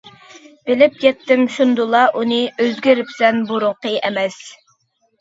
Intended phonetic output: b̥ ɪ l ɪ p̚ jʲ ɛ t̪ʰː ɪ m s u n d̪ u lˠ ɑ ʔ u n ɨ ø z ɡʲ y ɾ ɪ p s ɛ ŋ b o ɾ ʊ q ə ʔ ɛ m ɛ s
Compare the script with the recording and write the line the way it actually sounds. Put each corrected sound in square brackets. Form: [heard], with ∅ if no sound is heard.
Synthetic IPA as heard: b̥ ɪ l ɪ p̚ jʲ ɛ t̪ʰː ɪ m [ʃ] u n d̪ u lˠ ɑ ʔ u n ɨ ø z ɡʲ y ɾ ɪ p s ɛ [n] b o ɾ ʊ q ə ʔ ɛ m ɛ s